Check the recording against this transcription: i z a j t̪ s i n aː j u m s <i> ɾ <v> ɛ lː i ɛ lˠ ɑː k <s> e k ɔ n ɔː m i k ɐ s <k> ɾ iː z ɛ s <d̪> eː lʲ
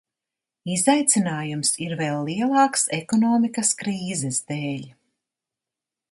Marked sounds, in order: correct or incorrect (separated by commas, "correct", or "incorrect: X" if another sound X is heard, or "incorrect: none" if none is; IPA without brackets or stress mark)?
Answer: correct, correct, correct, correct, correct